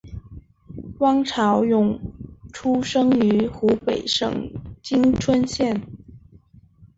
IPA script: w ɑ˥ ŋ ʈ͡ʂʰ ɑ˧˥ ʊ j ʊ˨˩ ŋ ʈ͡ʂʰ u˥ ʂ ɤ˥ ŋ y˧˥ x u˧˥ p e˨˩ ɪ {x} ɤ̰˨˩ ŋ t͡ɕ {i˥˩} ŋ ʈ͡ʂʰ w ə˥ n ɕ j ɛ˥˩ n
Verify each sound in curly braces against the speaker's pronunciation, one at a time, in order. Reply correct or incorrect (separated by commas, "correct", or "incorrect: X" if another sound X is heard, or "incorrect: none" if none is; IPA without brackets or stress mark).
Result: incorrect: ʂ, incorrect: i˥